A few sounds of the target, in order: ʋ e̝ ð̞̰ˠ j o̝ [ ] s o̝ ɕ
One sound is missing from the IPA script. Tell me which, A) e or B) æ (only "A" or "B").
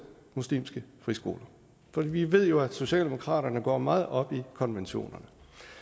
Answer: B